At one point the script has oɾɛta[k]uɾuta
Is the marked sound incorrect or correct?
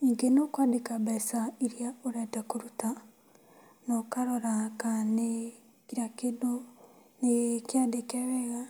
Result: correct